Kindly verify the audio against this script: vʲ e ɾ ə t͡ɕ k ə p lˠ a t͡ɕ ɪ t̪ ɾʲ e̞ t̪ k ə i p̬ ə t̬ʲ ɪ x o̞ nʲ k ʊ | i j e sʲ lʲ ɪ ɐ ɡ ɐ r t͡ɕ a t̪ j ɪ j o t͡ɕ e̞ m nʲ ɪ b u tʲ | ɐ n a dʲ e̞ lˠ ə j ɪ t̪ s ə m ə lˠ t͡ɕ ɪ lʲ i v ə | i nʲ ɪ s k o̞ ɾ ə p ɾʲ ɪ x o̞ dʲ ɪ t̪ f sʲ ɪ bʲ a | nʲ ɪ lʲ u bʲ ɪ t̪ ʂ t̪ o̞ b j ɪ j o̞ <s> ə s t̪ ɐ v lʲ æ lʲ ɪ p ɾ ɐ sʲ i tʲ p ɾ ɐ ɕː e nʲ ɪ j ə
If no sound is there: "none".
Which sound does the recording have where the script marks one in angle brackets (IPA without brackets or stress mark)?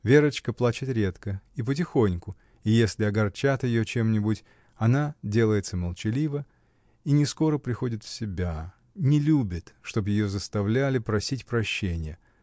z